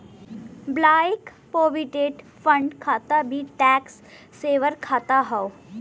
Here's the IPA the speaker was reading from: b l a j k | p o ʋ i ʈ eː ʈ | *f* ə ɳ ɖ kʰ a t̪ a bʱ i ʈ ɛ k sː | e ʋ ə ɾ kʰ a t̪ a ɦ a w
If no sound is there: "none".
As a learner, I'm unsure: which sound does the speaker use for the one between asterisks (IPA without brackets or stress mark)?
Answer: f